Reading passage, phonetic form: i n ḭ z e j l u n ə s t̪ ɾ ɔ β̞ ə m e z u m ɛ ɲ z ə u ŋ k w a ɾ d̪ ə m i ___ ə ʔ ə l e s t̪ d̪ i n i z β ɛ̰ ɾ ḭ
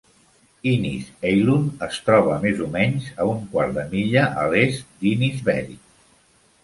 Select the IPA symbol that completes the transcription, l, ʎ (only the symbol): ʎ